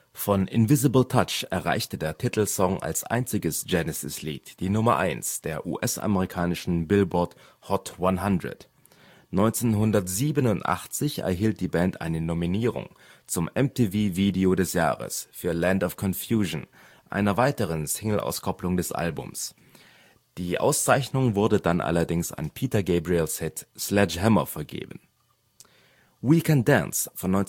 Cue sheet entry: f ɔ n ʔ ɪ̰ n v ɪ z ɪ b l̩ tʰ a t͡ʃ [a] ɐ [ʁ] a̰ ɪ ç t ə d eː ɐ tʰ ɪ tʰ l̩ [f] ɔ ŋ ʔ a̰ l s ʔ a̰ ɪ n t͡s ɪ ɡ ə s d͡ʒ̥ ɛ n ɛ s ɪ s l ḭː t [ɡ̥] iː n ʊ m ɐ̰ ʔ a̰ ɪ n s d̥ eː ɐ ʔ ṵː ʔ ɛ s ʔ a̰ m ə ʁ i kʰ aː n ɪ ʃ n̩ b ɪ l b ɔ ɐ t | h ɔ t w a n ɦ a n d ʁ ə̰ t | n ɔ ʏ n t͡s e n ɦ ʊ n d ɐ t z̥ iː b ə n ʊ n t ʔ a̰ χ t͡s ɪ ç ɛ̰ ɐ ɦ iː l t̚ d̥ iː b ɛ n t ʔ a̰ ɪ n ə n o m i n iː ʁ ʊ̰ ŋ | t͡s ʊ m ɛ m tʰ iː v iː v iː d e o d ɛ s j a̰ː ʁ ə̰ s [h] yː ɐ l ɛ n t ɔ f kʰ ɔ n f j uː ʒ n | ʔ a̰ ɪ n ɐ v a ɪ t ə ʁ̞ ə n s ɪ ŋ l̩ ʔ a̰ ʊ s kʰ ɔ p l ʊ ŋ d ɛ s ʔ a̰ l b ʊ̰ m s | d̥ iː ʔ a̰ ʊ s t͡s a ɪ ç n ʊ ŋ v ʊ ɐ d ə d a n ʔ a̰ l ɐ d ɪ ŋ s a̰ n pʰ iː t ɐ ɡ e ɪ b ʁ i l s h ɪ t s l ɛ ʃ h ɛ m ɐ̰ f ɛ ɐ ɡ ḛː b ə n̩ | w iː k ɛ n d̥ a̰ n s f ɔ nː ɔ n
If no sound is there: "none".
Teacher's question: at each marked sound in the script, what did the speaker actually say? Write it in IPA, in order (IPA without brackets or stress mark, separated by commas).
ɛ, ʁ, s, d̥, f